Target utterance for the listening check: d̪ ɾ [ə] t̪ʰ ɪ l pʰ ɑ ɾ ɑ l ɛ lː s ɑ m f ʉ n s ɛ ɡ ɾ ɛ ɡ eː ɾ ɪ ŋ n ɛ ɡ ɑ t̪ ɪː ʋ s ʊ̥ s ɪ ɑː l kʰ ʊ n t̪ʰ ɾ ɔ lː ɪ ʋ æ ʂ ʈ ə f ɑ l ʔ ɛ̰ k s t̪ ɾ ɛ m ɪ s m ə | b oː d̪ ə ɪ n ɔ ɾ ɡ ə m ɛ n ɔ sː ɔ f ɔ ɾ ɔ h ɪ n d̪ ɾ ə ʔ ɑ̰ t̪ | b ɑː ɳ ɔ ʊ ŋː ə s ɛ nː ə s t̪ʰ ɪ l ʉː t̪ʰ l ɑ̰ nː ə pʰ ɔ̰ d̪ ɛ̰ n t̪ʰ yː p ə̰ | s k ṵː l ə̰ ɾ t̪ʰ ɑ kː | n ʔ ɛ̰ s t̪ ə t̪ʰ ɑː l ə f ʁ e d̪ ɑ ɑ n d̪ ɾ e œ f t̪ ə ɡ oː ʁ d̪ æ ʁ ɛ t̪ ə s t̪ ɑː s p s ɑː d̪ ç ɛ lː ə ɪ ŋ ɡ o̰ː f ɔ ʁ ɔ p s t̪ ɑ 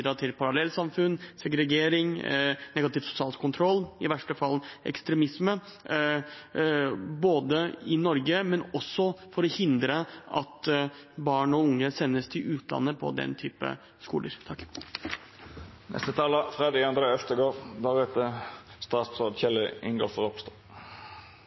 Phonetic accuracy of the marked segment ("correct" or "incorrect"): incorrect